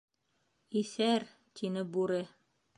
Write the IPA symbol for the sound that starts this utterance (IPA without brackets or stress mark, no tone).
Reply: i